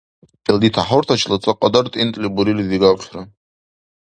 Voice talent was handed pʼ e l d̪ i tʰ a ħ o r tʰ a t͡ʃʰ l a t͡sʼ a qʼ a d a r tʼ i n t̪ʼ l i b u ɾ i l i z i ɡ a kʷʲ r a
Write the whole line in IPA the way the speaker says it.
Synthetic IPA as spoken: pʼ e l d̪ i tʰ a ħ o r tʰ a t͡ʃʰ l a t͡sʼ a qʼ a d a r tʼ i n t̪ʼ l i b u ɾ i l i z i ɡ a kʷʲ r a